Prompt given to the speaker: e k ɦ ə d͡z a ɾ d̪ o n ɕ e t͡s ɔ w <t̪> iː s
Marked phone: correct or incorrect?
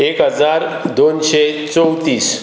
correct